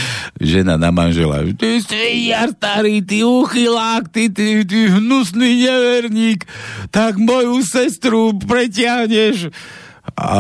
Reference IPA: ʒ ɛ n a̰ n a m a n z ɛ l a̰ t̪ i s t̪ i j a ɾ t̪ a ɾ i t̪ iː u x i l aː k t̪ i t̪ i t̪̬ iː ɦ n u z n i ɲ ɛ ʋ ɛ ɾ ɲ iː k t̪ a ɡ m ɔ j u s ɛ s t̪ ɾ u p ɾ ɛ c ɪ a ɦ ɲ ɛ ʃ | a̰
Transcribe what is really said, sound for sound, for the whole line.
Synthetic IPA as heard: ʒ ɛ n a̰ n a m a n ʒ ɛ l a̰ t̪ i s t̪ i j a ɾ t̪ a ɾ i t̪ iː u x i l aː k t̪ i t̪ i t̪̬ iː ɦ n u s n i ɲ ɛ ʋ ɛ ɾ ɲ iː k t̪ a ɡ m ɔ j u s ɛ s t̪ ɾ u p ɾ ɛ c ɪ a ɦ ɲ ɛ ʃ | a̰